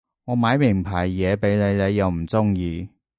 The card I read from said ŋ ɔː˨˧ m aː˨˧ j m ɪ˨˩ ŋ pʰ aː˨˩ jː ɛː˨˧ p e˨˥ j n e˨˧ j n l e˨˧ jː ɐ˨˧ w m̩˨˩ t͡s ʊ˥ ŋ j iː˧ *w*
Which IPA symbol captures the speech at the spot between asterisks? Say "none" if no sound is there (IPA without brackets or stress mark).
none